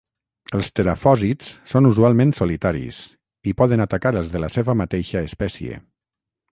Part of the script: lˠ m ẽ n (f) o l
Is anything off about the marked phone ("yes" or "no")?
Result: yes